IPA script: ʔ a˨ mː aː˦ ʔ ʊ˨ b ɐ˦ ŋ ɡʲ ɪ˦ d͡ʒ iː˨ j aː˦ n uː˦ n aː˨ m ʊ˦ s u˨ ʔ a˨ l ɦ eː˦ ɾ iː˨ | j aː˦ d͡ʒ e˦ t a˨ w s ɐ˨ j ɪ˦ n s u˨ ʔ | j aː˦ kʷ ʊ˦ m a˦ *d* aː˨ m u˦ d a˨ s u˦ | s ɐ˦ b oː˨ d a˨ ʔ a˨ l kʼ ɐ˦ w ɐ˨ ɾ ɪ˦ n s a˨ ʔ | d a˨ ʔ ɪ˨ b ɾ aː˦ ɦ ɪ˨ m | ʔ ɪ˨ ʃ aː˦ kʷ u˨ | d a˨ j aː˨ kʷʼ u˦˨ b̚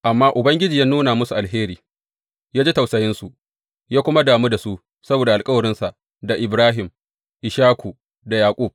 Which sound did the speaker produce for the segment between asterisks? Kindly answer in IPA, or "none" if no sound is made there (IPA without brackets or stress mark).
d